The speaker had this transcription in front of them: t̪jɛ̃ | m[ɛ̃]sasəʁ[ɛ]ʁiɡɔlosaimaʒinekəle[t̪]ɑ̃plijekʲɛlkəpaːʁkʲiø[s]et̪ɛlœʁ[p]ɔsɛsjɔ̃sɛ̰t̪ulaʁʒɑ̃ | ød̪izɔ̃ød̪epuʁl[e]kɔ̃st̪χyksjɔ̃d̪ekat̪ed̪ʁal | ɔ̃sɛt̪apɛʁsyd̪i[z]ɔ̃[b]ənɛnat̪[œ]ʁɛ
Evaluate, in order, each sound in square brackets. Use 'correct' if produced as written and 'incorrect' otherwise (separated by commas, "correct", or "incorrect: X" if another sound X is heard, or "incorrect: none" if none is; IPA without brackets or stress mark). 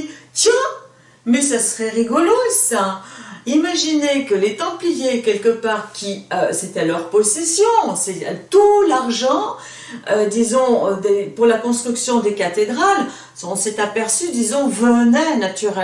incorrect: ɛ, correct, correct, correct, correct, incorrect: a, correct, incorrect: v, incorrect: y